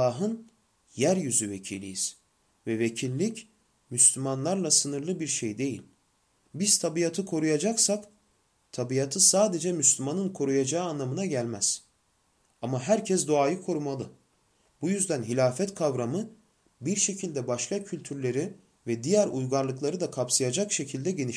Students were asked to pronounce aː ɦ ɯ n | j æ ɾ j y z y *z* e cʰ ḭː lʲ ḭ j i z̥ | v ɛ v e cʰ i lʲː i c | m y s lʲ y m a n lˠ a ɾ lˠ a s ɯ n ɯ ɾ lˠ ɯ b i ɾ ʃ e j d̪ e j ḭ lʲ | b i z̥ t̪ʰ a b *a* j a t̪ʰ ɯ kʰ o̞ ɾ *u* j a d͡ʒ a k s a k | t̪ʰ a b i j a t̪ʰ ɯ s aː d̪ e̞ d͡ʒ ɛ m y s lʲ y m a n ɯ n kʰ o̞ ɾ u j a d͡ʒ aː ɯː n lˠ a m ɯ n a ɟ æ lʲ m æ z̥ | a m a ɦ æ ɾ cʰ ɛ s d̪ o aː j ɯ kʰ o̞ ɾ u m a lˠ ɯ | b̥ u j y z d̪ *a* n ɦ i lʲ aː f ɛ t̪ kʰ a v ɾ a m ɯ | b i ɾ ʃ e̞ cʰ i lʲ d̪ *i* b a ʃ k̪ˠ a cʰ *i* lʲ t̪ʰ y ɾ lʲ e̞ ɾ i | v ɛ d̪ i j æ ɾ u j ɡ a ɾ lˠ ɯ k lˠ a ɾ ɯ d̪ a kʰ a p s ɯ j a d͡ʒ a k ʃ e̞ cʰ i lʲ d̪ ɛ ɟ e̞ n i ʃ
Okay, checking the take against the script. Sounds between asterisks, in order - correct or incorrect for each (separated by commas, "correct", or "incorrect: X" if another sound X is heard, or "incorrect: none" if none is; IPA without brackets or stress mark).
incorrect: v, incorrect: i, correct, incorrect: æ, incorrect: ɛ, incorrect: y